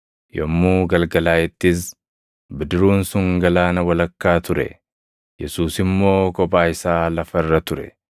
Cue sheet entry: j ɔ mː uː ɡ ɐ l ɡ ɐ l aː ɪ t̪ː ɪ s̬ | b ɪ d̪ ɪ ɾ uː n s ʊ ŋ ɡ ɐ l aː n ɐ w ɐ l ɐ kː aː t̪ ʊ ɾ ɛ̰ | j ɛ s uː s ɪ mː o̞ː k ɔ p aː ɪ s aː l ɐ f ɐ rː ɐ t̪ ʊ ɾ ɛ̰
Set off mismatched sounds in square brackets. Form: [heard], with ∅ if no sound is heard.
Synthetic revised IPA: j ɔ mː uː ɡ ɐ l ɡ ɐ l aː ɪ t̪ː ɪ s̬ | b ɪ d̪ ɪ ɾ uː n s ʊ ŋ ɡ ɐ l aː n ɐ w ɐ l ɐ kː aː t̪ ʊ ɾ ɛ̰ | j ɛ s uː s ɪ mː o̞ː k ɔ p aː ɪ s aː l ɐ f ɐ rː ɐ t̪ ʊ ɾ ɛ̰